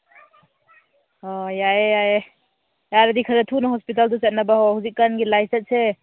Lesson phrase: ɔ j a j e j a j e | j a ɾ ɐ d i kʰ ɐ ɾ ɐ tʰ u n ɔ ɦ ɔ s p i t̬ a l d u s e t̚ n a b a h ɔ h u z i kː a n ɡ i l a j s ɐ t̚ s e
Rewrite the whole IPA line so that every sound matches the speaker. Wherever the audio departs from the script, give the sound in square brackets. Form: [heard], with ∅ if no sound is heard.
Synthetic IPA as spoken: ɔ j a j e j a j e | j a ɾ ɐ d i kʰ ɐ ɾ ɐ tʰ u n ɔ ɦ ɔ s p i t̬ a l d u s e t̚ n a b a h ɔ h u z i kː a n ɡ i l a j s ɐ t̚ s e